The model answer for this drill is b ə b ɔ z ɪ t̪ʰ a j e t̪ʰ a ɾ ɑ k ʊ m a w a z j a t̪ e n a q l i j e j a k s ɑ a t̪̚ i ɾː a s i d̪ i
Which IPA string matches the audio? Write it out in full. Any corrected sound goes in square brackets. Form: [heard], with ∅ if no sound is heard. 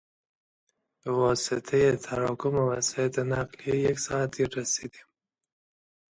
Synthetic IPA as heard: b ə [w] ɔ [s] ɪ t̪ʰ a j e t̪ʰ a ɾ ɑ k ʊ m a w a [s] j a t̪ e n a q l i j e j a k s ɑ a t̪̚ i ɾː a s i d̪ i